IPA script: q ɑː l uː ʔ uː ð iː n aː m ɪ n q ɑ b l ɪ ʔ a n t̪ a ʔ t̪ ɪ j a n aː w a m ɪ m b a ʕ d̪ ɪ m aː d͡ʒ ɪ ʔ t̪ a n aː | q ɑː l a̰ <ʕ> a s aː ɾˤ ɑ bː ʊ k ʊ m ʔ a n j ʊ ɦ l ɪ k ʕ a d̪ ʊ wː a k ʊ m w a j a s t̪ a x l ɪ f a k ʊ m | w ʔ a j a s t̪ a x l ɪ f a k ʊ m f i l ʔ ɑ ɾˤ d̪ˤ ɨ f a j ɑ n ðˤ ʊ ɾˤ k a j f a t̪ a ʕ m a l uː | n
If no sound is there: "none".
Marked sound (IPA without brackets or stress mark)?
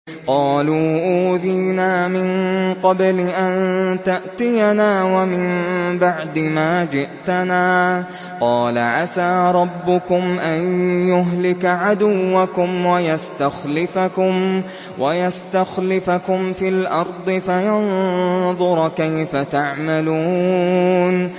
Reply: ʕ